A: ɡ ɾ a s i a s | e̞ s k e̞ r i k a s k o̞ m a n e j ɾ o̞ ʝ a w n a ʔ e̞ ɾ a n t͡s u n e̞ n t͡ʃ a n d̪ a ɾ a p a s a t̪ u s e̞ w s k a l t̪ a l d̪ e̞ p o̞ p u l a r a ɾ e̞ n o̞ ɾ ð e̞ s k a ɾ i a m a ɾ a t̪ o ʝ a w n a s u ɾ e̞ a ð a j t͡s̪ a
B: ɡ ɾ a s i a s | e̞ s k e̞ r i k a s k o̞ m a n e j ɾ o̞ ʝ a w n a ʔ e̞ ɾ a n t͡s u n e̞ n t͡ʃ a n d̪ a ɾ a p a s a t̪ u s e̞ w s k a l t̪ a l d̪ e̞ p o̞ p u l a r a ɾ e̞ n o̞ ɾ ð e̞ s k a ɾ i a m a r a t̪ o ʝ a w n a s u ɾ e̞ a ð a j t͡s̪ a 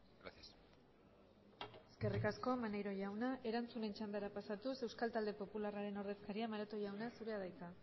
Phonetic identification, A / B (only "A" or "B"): A